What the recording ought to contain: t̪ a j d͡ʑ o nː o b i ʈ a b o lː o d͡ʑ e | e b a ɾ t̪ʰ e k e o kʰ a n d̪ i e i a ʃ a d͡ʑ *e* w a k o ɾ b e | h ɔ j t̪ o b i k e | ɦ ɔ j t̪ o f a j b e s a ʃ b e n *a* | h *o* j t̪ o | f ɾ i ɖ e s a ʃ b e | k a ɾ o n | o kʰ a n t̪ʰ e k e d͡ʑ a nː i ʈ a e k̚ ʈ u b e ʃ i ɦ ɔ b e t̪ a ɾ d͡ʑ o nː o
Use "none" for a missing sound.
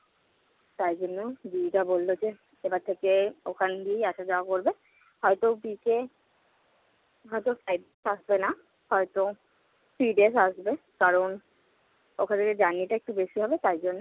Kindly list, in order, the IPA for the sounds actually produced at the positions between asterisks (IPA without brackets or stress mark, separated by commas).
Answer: a, a, ɔ